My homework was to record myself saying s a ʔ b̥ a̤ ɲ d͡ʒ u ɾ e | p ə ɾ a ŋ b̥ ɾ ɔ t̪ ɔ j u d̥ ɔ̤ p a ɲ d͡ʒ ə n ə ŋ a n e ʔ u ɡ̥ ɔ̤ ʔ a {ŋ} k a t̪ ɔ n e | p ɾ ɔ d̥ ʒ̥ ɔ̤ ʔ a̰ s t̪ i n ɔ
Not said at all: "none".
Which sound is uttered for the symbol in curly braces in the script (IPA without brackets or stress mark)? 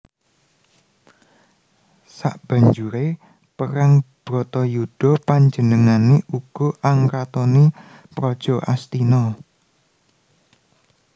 ŋ